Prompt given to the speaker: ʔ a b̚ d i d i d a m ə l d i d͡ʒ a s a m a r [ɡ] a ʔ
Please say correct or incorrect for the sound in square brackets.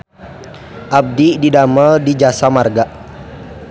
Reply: correct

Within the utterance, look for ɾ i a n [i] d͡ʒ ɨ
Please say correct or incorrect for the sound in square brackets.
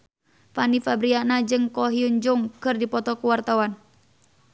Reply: incorrect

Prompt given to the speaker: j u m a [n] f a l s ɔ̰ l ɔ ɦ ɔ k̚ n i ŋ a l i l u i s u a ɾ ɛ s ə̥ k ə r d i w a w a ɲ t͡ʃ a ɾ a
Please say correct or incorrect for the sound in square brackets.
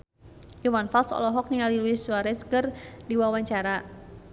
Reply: correct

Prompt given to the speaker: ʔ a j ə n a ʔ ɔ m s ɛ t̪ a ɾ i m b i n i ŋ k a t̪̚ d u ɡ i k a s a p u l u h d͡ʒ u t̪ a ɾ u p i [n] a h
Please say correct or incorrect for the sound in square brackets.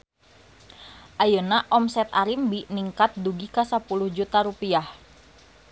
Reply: incorrect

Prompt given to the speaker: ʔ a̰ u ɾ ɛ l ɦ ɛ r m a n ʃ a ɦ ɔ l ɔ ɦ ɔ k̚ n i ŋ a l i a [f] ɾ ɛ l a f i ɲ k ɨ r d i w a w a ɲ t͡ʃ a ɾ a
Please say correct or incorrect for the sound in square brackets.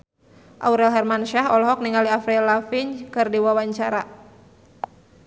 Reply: correct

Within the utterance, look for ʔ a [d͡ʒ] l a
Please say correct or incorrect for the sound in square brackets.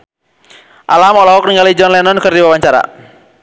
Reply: incorrect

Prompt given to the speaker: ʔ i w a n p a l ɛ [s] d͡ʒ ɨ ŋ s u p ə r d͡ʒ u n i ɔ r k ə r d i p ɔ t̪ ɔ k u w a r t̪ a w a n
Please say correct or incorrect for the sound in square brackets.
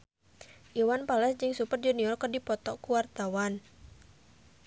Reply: correct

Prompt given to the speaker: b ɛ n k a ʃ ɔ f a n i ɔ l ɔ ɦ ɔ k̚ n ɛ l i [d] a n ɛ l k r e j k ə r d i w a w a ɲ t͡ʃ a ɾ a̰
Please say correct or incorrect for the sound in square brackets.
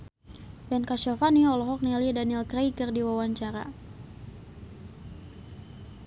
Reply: correct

